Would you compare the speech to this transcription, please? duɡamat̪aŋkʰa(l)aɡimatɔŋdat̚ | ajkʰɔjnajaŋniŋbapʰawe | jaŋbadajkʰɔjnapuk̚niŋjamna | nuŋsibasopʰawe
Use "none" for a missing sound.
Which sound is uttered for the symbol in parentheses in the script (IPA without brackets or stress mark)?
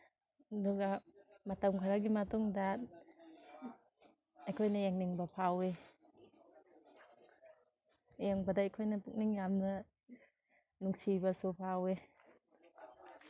ɾ